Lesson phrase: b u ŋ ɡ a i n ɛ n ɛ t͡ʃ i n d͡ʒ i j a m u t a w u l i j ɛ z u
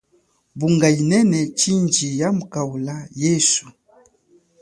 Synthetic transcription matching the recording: b u ŋ ɡ a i n ɛ n ɛ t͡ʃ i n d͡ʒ i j a m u k a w u l a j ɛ s u

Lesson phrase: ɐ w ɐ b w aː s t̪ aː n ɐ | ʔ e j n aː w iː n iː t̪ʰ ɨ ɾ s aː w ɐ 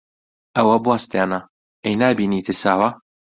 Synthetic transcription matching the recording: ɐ w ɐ b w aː s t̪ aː n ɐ | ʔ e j n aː b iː n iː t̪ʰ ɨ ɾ s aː w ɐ

